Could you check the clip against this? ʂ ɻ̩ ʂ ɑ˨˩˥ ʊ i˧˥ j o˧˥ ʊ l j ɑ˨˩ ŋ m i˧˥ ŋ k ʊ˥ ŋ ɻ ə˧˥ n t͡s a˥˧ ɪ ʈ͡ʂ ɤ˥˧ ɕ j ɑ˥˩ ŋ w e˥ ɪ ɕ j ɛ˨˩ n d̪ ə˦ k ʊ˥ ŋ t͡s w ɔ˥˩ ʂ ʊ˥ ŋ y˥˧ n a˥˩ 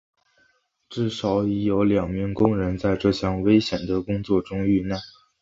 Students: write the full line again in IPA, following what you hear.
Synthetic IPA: ʈ͡ʂ ɻ̩ ʂ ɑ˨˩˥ ʊ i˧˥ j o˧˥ ʊ l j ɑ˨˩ ŋ m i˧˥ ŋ k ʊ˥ ŋ ɻ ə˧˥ n t͡s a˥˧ ɪ ʈ͡ʂ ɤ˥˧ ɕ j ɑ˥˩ ŋ w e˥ ɪ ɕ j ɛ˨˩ n d̪ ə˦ k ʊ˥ ŋ t͡s w ɔ˥˩ ʈ͡ʂ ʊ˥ ŋ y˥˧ n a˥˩